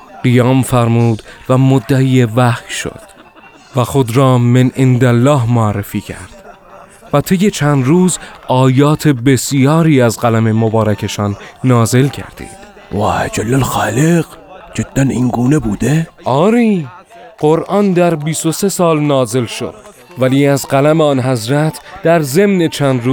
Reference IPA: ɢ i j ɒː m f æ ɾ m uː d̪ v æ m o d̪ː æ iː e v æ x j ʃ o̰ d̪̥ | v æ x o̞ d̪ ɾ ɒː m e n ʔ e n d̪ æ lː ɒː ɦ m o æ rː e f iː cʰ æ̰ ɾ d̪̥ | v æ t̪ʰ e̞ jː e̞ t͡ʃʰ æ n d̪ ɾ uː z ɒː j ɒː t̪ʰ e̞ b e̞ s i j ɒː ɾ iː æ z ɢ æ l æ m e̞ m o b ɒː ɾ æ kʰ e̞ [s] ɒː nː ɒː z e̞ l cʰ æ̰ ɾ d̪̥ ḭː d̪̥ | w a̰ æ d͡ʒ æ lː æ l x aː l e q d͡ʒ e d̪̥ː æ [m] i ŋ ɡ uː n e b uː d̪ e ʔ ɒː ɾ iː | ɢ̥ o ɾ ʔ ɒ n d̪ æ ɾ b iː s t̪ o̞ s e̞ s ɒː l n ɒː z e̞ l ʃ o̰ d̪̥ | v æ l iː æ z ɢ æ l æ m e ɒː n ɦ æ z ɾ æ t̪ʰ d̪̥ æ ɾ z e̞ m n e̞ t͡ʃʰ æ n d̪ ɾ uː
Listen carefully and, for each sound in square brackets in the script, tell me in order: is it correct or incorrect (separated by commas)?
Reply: incorrect, incorrect